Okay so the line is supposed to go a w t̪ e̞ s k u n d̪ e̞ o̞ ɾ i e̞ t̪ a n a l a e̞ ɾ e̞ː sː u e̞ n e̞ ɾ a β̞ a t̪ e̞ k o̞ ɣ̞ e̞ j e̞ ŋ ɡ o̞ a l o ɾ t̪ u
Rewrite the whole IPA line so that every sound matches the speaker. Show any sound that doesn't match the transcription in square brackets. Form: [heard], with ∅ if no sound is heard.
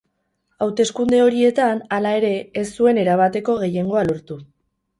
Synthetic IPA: a w t̪ e̞ s k u n d̪ e̞ o̞ ɾ i e̞ t̪ a n a l a e̞ ɾ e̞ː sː u e̞ n e̞ ɾ a β̞ a t̪ e̞ k o̞ ɣ̞ e̞ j e̞ ŋ ɡ o̞ a l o ɾ t̪ u